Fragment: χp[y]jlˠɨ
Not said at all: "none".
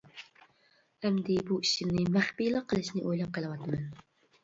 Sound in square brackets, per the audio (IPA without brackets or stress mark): i